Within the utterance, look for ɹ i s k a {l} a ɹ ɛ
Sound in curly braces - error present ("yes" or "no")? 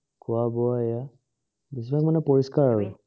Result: yes